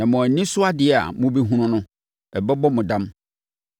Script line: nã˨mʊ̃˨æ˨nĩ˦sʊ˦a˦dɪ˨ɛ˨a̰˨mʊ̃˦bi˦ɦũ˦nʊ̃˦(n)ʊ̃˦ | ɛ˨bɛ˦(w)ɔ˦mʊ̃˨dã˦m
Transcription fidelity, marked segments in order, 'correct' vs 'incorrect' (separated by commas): correct, incorrect